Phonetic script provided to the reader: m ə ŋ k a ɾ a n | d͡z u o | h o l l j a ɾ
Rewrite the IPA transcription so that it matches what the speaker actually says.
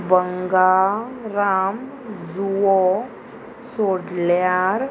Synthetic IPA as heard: b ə ŋ ɡ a ɾ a m | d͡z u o | s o ɽ l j a ɾ